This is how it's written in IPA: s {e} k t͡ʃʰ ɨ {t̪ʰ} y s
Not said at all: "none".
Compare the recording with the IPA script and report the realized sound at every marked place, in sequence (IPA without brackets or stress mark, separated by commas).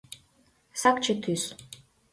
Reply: a, t̪ʰ